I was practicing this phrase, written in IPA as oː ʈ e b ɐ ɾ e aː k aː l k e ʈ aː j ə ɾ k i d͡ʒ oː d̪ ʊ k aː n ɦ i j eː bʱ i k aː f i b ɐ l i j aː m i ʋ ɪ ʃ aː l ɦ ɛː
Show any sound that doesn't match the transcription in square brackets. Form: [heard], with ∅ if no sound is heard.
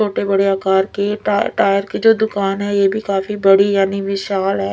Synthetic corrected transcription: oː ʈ e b ɐ [ɽ] e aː k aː [ɾ] k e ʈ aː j ə ɾ k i d͡ʒ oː d̪ ʊ k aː n ɦ [ɛ] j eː bʱ i k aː f i b ɐ [ɽ] i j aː [n] i ʋ ɪ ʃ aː l ɦ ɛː